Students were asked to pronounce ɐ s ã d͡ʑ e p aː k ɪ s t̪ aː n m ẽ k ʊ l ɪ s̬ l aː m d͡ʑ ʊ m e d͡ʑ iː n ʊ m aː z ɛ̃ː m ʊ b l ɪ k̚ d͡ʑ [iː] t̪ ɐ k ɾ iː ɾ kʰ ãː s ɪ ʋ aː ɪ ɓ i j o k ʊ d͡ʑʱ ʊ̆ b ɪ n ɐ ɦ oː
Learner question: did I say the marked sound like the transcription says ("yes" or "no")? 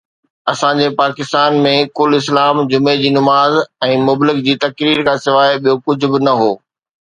yes